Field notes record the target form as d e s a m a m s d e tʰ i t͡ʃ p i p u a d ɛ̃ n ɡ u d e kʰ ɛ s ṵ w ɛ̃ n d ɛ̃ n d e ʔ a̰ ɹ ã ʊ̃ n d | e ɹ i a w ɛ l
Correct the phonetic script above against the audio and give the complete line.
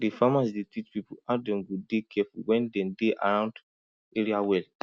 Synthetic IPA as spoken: d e f a m a s d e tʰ i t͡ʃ p i p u a d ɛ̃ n ɡ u d e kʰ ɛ f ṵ w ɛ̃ n d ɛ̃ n d e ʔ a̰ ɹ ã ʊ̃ n d | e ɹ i a w ɛ l